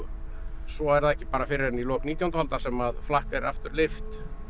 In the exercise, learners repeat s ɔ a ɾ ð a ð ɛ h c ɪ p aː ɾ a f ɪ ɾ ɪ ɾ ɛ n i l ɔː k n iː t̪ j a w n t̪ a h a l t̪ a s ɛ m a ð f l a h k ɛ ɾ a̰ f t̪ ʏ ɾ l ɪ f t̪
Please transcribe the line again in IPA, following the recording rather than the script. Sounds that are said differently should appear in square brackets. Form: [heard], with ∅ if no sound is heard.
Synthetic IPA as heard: s ɔ [ɛ] ɾ ð a ð ɛ h c ɪ p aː ɾ a f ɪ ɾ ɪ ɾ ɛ n i l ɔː k n iː t̪ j a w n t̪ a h a l t̪ a s ɛ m a ð f l a h k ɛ ɾ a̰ f t̪ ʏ ɾ l ɪ f t̪